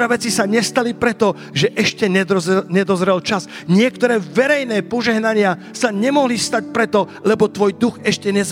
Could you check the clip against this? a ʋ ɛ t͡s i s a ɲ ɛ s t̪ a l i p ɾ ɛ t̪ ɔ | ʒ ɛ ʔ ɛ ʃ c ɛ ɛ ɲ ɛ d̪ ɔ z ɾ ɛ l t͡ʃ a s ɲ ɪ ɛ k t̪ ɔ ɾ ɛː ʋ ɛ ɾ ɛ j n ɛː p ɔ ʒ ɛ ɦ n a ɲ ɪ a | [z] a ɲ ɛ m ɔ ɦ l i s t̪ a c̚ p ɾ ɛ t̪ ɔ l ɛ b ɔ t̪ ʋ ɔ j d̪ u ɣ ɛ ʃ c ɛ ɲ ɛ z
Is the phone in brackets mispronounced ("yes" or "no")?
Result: yes